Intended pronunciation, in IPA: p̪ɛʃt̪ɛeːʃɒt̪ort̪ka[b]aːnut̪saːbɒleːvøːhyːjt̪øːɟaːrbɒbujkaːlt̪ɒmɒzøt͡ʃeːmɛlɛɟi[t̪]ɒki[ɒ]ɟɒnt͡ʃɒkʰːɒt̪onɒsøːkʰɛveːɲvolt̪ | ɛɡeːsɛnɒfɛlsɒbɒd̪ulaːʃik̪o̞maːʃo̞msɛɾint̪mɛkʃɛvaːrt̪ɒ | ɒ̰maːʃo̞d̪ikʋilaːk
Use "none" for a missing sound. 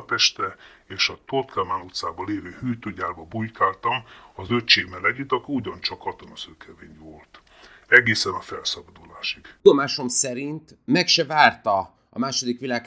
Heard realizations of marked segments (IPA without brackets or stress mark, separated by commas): m, t̪, u